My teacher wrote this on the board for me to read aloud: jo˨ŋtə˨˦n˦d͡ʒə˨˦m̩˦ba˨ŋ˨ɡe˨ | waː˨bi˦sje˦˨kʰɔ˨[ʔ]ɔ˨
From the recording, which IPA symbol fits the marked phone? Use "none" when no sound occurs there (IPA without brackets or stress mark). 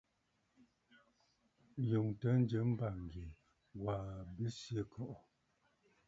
ʔ